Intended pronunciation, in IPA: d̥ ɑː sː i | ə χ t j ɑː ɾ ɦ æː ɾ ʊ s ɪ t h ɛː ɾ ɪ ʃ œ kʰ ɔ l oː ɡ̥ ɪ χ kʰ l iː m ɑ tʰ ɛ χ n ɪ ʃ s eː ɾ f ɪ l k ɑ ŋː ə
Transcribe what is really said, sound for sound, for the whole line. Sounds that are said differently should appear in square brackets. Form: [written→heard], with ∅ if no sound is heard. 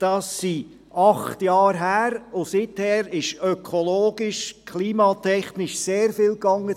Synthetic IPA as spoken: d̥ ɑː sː i | [ə→ɑ] χ t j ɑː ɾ ɦ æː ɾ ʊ s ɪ t h ɛː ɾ ɪ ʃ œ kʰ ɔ l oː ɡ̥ ɪ [χ→ʃ] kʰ l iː m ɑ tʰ ɛ χ n ɪ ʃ s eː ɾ f ɪ l k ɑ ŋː ə

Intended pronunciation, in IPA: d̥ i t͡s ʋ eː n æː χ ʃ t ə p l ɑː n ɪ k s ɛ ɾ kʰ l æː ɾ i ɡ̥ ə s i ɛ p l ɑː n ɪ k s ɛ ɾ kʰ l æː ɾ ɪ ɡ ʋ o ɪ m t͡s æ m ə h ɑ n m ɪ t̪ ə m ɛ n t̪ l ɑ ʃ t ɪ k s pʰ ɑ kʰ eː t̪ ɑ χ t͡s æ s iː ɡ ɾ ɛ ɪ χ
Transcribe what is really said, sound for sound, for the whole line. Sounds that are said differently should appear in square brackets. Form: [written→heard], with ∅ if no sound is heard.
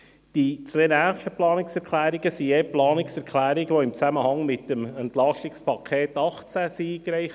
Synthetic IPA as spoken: d̥ i t͡s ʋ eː n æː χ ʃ t ə p l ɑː n ɪ k s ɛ ɾ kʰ l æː ɾ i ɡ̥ ə s i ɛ p l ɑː n ɪ k s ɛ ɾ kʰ l æː ɾ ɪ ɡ ʋ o ɪ m t͡s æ m ə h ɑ [n→ŋ] m ɪ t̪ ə m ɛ n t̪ l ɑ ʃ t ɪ k s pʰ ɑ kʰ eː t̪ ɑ χ t͡s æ s iː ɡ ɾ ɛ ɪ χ

